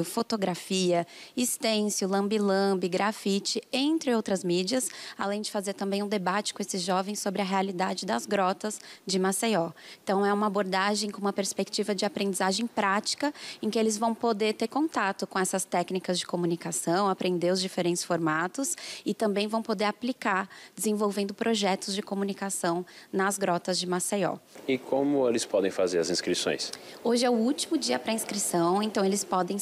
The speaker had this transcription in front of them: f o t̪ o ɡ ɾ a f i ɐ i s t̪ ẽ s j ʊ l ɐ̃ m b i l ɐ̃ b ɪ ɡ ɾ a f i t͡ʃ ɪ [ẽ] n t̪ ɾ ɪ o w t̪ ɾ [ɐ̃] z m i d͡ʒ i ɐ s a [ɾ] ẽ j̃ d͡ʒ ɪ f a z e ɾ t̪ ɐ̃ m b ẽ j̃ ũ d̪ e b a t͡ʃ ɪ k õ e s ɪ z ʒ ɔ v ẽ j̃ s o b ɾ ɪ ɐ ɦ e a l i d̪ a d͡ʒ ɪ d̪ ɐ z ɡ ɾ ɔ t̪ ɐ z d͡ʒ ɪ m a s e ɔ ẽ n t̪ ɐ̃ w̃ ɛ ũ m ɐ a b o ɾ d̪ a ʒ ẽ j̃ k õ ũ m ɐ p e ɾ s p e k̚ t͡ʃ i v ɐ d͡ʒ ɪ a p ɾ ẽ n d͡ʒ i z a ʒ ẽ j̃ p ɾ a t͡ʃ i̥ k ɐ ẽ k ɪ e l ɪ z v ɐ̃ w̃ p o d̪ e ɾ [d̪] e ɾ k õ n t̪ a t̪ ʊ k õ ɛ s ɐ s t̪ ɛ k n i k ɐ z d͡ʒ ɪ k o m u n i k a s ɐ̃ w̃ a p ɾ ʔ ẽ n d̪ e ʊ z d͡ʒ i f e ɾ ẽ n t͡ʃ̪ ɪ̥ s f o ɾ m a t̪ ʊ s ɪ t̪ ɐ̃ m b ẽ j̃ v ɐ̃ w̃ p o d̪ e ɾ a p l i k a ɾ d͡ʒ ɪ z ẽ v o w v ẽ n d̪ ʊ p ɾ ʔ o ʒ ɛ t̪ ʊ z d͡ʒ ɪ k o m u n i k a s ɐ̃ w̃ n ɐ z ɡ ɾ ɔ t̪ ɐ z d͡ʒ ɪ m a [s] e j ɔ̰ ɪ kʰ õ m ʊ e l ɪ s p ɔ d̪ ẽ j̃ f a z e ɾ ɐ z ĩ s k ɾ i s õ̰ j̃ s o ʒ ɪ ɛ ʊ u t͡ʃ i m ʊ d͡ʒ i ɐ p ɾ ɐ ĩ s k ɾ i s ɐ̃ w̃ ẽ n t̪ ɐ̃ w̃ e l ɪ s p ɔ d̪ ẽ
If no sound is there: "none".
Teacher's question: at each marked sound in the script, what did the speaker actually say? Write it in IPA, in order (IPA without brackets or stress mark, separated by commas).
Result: ẽ, ɐ, l, t̪, s